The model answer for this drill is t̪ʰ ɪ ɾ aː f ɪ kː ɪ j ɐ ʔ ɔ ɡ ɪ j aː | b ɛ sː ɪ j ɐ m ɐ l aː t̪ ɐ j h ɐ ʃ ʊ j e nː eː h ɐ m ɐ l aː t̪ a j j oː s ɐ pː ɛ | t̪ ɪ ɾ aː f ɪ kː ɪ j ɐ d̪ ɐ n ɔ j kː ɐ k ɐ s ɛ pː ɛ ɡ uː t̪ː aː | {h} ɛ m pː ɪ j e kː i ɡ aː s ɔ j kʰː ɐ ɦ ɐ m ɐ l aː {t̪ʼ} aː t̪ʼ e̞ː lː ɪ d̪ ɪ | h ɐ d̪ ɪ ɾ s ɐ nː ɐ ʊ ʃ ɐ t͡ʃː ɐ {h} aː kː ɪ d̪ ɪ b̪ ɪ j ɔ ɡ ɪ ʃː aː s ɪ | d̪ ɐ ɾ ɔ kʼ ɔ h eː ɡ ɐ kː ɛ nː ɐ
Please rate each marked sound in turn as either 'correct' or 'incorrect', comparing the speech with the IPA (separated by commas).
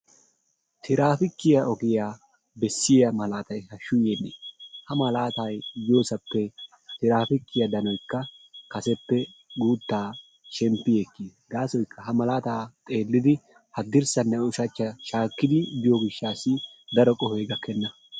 incorrect, incorrect, incorrect